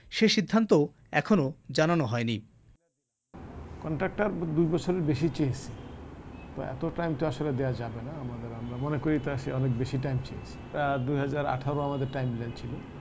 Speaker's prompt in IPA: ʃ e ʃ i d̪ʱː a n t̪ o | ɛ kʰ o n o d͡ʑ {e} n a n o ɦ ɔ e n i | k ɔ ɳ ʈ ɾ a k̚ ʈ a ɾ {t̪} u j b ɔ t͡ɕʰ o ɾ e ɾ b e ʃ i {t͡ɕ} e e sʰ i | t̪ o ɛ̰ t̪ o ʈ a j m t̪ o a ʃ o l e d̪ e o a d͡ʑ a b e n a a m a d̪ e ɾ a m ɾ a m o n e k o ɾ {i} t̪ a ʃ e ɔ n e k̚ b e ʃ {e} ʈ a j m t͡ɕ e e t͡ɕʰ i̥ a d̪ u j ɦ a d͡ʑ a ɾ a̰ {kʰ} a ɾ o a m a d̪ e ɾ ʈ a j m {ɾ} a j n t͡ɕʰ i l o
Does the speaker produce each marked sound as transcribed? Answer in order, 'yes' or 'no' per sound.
no, no, yes, yes, no, no, no

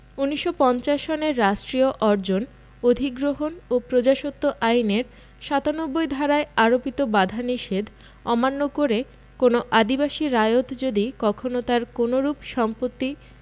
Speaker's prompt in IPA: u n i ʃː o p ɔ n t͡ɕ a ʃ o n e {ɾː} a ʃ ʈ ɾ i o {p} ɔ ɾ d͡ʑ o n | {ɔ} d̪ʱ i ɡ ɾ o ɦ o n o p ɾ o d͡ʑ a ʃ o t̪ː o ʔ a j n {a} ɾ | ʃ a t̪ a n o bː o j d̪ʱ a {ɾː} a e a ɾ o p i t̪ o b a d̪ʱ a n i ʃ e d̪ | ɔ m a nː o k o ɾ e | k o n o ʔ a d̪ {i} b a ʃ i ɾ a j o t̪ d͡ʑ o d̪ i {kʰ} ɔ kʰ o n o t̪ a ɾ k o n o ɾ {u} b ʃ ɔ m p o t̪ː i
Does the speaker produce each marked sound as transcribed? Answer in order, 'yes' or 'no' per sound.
yes, no, no, no, no, yes, no, yes

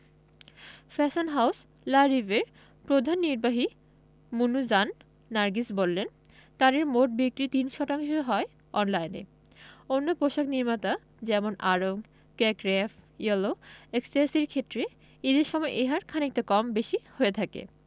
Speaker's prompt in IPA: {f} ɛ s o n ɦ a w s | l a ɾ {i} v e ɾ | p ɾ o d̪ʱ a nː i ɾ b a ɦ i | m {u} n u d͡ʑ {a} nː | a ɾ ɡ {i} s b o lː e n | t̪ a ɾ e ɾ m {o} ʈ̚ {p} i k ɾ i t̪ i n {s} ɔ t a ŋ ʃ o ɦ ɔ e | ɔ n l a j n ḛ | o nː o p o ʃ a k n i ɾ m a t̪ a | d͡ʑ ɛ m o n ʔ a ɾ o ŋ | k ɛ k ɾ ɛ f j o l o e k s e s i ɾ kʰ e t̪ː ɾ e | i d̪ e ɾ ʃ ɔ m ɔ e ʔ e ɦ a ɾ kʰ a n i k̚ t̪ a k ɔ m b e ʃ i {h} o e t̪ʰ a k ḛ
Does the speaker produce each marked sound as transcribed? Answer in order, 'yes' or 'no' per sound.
yes, yes, yes, yes, yes, yes, no, no, yes

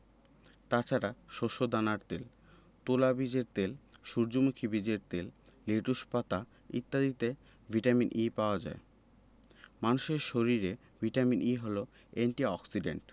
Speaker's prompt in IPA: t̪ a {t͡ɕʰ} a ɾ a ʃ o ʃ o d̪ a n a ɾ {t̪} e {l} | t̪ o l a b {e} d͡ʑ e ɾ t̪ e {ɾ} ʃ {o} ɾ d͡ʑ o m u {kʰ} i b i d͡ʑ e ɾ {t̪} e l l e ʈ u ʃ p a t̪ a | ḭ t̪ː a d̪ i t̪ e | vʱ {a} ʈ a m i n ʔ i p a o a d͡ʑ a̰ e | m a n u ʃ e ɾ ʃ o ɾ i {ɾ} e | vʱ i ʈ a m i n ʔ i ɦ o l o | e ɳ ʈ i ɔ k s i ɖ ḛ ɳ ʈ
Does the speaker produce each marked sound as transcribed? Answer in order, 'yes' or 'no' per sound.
yes, yes, yes, no, no, no, yes, yes, no, yes

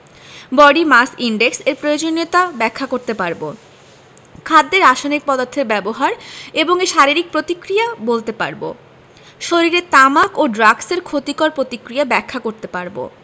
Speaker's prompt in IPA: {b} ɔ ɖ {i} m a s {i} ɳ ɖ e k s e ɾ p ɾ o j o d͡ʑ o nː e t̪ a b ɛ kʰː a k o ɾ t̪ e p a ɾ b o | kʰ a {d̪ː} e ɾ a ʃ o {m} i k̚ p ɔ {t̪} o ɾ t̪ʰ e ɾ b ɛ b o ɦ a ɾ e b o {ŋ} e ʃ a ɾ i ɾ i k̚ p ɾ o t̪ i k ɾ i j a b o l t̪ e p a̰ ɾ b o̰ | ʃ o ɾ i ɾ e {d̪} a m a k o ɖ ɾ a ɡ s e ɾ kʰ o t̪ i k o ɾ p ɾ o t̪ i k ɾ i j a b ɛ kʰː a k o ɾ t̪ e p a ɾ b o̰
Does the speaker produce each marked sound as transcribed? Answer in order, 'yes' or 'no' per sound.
yes, yes, yes, yes, no, no, yes, no

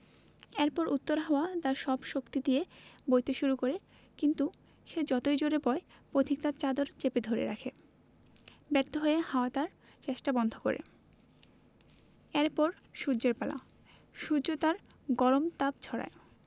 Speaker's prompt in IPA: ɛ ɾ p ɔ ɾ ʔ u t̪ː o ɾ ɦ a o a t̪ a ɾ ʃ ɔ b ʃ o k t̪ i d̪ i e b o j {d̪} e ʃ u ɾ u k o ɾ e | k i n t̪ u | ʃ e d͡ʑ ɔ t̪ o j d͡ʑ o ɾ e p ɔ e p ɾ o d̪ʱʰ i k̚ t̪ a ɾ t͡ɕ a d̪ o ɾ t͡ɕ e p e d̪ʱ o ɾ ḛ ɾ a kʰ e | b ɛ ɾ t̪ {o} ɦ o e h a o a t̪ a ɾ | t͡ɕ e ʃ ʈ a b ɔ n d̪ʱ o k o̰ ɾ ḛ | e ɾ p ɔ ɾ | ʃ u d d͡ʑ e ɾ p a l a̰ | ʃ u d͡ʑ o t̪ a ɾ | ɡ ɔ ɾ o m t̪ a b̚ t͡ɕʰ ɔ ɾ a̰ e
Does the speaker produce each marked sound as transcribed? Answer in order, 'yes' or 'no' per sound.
no, yes

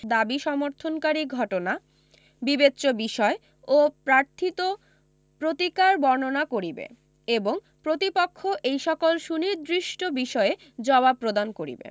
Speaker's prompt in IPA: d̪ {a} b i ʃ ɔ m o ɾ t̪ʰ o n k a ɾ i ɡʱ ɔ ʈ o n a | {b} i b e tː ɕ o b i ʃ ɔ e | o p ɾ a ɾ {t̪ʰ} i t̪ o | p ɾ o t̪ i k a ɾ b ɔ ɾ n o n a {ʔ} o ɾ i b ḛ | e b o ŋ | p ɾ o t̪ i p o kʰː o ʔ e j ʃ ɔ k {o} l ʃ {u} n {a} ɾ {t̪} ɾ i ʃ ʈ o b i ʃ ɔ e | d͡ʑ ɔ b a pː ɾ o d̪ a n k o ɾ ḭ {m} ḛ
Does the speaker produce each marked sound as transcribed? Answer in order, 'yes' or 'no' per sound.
yes, yes, yes, no, yes, yes, no, no, no

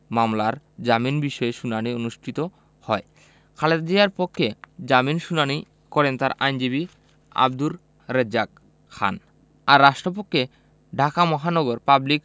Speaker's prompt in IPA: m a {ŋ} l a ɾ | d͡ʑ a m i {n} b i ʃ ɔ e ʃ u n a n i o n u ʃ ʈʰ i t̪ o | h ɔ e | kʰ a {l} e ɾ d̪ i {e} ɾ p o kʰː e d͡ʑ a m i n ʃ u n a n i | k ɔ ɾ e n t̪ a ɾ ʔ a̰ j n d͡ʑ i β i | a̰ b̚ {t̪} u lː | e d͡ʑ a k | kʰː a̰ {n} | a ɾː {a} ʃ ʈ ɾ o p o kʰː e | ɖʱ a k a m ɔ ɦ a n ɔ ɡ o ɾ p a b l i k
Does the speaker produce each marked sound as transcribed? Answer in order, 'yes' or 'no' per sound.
no, yes, yes, no, no, yes, yes

